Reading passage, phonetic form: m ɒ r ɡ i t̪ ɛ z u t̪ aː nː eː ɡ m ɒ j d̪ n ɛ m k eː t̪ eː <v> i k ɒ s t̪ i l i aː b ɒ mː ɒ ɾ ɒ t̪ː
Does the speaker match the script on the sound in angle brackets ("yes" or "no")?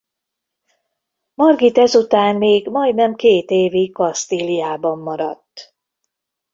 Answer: yes